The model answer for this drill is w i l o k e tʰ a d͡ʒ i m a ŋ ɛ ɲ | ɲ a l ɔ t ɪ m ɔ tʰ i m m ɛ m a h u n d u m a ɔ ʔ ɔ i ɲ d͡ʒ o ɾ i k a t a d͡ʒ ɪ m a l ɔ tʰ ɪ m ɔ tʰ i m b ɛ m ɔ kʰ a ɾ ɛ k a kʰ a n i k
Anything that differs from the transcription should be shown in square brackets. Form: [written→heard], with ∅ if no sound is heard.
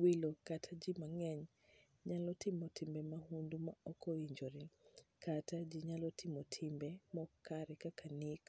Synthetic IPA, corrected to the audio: w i l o k [e→a] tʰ a d͡ʒ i m a ŋ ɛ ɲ | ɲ a l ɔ t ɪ m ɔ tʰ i m [m→b] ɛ m a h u n d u m a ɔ [ʔ→k] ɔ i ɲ d͡ʒ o ɾ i k a t a d͡ʒ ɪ [m→ɲ] a l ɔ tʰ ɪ m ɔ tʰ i m b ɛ m ɔ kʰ a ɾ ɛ k a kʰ a n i k